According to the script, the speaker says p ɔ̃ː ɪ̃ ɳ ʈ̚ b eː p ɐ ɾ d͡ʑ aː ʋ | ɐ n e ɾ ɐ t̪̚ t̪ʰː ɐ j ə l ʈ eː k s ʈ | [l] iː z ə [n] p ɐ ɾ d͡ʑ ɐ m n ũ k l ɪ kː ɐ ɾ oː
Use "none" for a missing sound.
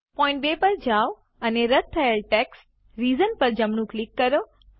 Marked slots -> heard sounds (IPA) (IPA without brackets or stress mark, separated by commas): ɾ, n